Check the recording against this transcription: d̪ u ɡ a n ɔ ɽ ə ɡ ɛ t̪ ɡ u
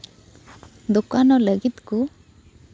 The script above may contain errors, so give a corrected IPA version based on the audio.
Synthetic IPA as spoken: d̪ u k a n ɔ l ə ɡ i t̪ k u